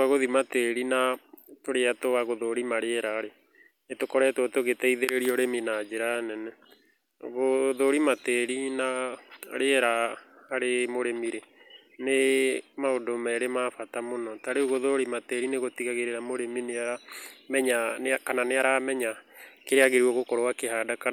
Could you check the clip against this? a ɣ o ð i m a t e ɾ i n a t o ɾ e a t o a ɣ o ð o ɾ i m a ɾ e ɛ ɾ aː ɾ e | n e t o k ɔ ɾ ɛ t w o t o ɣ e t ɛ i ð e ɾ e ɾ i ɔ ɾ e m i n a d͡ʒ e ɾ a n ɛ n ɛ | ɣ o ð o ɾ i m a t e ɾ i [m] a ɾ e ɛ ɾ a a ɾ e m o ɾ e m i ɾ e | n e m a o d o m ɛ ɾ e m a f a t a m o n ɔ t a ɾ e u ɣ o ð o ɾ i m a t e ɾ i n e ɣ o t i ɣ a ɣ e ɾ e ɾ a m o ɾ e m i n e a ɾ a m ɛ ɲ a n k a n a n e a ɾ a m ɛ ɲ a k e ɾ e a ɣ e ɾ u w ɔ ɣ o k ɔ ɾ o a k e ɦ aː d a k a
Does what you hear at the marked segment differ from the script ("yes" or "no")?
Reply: yes